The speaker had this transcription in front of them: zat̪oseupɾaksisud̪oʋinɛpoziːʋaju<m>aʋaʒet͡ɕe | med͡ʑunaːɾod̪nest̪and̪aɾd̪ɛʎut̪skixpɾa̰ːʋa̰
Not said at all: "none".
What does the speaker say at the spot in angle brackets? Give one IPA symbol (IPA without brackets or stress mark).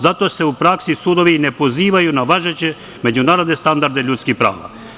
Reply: n